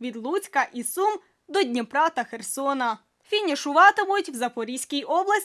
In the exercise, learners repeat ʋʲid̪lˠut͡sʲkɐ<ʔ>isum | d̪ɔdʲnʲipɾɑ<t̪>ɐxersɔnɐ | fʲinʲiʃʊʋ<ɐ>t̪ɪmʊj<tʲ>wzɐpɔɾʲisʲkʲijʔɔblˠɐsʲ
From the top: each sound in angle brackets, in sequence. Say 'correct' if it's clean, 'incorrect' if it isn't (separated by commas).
correct, correct, incorrect, correct